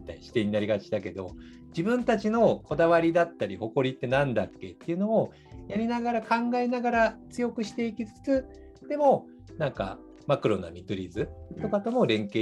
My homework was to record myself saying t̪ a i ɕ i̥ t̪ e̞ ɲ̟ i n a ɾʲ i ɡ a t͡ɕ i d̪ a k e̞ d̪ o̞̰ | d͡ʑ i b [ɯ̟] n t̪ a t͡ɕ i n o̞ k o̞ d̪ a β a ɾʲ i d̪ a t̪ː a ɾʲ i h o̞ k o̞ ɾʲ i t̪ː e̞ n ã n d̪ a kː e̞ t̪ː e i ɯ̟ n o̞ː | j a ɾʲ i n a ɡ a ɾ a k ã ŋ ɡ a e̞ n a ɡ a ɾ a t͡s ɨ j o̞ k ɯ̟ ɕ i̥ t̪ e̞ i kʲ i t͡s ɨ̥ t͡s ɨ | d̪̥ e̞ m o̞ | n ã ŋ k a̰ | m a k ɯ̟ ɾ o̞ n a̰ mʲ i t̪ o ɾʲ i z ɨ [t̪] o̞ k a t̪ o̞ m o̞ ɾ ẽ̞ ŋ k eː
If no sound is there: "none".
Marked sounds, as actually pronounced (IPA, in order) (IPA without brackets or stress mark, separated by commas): ɯ̟̃, t̪